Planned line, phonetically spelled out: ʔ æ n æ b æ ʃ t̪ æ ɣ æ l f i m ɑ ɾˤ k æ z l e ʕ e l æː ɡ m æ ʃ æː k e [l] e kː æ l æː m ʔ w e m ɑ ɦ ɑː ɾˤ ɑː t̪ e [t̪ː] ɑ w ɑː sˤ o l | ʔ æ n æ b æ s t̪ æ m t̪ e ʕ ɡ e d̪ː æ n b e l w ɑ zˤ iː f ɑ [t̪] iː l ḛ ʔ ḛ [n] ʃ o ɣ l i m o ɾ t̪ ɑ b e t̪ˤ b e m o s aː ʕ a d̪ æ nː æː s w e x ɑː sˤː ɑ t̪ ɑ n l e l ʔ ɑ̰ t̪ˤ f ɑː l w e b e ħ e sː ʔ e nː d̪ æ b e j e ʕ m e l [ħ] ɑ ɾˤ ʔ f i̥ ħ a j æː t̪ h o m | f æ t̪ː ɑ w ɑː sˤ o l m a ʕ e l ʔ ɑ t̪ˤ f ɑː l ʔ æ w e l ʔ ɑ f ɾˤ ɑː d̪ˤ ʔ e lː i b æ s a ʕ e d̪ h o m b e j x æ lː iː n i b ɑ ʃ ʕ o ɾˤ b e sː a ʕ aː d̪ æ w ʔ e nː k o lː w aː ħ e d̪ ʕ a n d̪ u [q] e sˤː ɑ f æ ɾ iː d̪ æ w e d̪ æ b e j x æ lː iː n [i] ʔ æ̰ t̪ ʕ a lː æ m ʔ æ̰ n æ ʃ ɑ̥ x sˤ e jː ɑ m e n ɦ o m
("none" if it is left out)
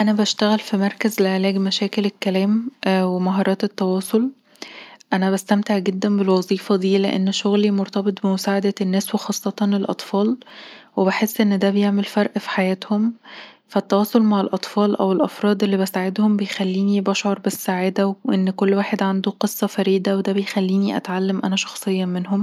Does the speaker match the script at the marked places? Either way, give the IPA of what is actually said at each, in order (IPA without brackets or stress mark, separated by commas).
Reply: l, t̪ː, d̪, nː, f, q, i